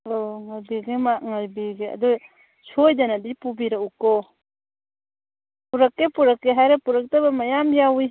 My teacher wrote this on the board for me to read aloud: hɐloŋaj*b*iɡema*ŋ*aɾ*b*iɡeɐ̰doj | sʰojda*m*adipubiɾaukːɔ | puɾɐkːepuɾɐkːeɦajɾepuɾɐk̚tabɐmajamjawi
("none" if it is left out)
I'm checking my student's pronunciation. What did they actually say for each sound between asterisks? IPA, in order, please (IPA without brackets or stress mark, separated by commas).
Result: b, ŋ, b, n